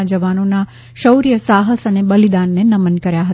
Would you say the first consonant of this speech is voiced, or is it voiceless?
voiced